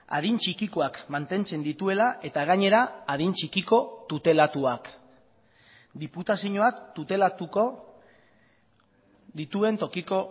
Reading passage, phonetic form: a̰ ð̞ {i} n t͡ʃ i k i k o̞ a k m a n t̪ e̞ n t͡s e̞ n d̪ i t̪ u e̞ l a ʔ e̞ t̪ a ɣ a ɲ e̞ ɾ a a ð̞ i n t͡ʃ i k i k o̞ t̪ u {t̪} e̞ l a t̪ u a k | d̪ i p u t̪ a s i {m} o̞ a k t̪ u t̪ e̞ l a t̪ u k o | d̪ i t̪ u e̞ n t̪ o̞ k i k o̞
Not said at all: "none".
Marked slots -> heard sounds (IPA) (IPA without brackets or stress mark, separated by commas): i, t̪, ɲ